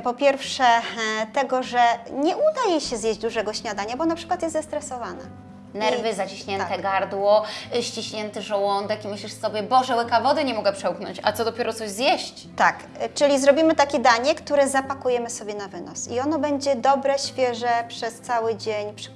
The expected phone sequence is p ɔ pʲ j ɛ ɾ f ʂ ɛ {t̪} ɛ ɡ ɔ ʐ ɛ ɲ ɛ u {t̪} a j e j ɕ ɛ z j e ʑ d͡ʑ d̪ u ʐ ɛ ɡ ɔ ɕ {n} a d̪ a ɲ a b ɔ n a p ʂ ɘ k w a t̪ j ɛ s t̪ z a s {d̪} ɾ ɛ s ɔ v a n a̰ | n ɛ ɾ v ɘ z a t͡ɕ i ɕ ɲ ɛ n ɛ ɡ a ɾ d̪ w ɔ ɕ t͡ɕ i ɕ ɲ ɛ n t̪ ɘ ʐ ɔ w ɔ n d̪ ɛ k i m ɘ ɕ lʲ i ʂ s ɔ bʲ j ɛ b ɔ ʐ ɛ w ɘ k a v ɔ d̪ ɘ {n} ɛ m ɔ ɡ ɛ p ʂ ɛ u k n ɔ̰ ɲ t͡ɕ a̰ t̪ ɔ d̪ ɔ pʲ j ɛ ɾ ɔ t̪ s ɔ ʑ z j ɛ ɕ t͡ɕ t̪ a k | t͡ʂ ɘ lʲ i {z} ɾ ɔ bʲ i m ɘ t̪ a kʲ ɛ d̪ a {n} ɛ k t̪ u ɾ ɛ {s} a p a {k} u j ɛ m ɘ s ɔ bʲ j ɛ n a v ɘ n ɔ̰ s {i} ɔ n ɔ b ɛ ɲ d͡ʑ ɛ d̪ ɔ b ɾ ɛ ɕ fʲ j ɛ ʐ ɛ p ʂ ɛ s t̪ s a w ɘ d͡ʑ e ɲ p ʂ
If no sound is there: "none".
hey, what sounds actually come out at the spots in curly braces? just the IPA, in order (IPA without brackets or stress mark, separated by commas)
t̪, d̪, ɲ, t̪, ɲ, z, ɲ, z, k, i